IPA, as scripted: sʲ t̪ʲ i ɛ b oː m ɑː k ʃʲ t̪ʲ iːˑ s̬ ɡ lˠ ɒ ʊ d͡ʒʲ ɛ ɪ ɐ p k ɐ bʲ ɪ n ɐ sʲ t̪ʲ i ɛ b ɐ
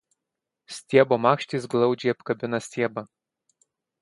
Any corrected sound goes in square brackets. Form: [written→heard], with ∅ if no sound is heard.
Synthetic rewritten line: sʲ t̪ʲ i ɛ b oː m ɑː k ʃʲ t̪ʲ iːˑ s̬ ɡ lˠ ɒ ʊ d͡ʒʲ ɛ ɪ ɐ p k ɐ bʲ ɪ n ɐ sʲ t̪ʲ i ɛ b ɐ